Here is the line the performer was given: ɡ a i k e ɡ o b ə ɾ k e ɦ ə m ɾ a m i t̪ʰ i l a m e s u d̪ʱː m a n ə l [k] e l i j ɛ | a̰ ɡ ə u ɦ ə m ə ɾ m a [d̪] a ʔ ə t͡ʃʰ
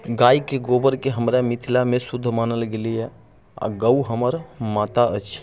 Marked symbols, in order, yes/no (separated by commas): no, no